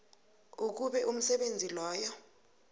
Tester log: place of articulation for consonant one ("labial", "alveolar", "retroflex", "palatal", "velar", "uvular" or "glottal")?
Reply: velar